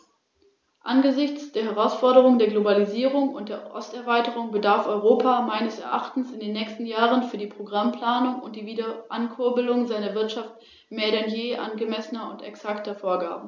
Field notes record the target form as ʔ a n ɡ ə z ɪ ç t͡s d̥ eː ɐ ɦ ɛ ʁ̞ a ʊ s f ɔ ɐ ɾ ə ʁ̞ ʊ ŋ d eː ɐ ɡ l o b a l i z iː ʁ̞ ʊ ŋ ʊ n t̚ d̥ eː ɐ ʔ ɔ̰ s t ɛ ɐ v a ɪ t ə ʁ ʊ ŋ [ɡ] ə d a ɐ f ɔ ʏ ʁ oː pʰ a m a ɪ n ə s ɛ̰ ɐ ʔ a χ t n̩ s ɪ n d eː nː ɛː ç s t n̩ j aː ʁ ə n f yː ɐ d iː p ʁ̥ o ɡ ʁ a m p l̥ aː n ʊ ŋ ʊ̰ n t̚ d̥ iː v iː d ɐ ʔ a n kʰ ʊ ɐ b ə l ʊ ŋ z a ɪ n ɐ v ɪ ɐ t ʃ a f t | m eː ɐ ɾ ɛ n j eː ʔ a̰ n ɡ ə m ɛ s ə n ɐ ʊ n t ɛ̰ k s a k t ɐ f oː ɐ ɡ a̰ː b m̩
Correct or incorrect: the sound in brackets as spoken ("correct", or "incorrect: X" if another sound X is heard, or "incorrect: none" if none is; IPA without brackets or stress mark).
incorrect: b